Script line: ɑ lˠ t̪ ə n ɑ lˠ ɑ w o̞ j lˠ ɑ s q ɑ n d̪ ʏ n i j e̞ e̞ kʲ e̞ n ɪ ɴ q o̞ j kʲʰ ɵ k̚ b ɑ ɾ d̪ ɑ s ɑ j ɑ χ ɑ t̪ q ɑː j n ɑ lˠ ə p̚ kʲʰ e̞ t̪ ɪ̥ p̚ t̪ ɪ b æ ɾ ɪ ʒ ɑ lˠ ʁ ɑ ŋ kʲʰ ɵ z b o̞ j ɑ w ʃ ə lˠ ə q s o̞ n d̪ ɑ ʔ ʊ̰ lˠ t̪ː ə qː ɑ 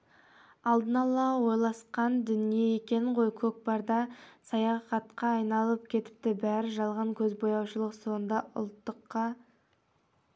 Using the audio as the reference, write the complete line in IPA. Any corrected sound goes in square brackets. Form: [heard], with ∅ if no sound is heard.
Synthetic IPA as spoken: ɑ lˠ [d̪] ə n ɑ lˠ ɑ w o̞ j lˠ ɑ s q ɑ n d̪ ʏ n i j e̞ e̞ kʲ e̞ n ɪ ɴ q o̞ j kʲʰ ɵ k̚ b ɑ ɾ d̪ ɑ s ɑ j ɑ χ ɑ t̪ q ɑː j n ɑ lˠ ə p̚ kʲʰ e̞ t̪ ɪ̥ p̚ t̪ ɪ b æ ɾ ɪ ʒ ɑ lˠ ʁ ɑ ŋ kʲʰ ɵ z b o̞ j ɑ w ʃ ə lˠ ə q s o̞ n d̪ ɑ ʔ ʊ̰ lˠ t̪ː ə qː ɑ